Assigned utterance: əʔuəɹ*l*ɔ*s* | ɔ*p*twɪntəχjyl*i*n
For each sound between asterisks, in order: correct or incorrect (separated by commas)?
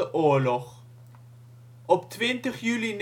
correct, incorrect, correct, correct